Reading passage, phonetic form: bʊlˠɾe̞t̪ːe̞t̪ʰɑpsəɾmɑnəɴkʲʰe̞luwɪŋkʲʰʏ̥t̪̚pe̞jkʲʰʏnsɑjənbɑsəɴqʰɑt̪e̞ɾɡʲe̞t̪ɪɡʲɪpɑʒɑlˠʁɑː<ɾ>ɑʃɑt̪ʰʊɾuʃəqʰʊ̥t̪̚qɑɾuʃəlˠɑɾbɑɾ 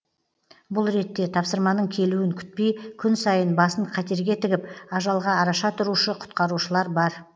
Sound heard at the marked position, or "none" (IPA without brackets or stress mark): ɾ